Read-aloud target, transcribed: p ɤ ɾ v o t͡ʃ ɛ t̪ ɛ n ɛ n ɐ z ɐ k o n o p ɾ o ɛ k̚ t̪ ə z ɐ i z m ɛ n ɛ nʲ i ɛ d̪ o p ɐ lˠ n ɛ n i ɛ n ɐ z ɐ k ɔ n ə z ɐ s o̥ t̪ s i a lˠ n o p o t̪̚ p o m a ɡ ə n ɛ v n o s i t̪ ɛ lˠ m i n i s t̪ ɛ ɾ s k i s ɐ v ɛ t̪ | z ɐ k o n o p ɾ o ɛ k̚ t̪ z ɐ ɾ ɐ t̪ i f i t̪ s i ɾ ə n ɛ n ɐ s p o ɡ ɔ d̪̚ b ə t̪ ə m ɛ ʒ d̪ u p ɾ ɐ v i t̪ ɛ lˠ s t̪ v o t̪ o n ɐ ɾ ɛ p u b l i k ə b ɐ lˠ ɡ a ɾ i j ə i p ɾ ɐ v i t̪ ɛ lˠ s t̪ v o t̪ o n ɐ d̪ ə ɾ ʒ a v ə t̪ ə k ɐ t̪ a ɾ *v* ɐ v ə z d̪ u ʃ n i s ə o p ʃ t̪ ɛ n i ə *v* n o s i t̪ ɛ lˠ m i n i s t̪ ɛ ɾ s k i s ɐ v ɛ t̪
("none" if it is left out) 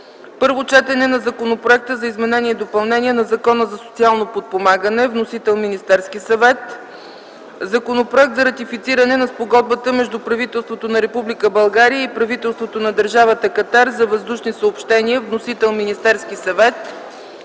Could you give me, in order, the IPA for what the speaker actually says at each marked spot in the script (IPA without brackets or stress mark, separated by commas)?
z, v